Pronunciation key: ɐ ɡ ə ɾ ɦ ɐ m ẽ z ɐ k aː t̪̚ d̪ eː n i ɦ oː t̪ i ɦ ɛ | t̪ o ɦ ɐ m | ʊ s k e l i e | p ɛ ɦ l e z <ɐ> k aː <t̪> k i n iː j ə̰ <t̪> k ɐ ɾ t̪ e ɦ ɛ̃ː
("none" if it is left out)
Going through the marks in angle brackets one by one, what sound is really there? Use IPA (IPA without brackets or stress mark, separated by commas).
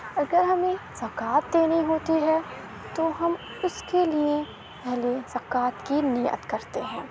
ɐ, t̪, t̪